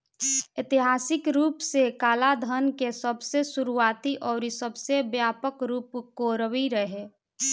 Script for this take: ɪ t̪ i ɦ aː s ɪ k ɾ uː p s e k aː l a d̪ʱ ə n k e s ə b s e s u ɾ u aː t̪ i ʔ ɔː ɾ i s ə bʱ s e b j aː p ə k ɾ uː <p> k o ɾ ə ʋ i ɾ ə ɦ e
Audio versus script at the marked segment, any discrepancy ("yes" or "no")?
no